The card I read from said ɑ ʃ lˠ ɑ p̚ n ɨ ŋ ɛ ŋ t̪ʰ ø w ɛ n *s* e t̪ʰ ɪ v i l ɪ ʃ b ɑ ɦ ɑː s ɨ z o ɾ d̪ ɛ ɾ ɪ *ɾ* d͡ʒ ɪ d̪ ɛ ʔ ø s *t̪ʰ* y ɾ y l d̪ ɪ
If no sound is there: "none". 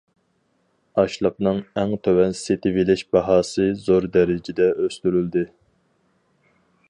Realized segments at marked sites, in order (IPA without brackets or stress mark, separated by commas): s, none, t̪